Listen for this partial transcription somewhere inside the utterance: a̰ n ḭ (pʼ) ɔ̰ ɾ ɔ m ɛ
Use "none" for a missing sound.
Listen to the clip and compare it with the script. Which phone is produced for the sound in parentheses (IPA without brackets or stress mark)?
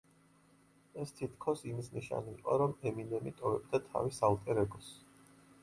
qʼ